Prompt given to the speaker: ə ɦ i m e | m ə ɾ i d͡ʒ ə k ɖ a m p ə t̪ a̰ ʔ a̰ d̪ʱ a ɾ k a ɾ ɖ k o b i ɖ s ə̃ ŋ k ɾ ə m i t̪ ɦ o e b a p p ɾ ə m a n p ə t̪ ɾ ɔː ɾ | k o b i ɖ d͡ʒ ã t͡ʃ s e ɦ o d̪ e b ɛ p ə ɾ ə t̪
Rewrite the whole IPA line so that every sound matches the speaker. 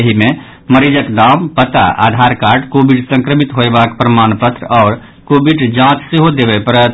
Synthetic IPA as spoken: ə ɦ i m e | m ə ɾ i d͡ʒ ə k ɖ a m p ə t̪ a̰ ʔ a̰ d̪ʱ a ɾ k a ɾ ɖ k o b i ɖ s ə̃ ŋ k ɾ ə m i t̪ ɦ o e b a k p ɾ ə m a n p ə t̪ ɾ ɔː ɾ | k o b i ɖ d͡ʒ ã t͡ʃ s e ɦ o d̪ e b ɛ p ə ɾ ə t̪